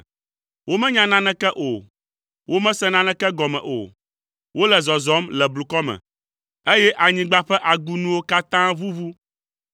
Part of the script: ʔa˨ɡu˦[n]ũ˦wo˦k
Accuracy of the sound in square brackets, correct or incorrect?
correct